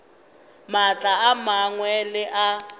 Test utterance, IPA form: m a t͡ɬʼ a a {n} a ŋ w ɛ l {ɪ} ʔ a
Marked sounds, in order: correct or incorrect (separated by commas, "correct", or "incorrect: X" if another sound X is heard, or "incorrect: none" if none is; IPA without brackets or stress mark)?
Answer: incorrect: m, correct